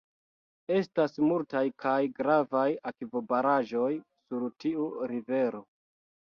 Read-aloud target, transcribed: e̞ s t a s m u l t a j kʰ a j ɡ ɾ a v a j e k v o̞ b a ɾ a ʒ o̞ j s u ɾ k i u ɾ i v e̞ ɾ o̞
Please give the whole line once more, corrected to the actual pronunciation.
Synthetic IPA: e̞ s t a s m u l t a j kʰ a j ɡ ɾ a v a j a k v o̞ b a ɾ a ʒ o̞ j s u ɾ t i u ɾ i v e̞ ɾ o̞